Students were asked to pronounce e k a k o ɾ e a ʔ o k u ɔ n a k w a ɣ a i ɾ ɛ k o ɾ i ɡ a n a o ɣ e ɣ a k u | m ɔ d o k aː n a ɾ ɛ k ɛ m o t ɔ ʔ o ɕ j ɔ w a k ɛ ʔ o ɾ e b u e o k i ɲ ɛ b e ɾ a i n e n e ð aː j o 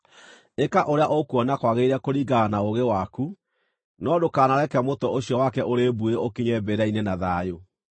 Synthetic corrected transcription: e k a ʔ o ɾ e a ʔ o k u ɔ n a k w a ɣ e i ɾ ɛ k o ɾ i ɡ a n a o ɣ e w a k u | n ɔ d o k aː n a ɾ ɛ k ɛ m o t ɔ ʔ o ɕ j ɔ w a k ɛ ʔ o ɾ e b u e o k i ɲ ɛ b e ɾ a i n e n a ð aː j o